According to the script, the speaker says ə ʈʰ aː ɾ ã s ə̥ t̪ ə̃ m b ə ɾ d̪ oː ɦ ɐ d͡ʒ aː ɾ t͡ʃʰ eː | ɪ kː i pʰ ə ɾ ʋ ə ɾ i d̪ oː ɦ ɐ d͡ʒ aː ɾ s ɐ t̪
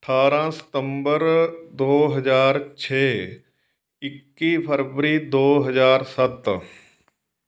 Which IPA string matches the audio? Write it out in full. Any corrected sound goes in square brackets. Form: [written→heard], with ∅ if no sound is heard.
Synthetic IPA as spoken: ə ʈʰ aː ɾ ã s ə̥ t̪ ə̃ m b ə ɾ d̪ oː ɦ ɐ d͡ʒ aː ɾ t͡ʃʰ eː | ɪ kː i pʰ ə ɾ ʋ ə ɾ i d̪ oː ɦ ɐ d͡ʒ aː ɾ s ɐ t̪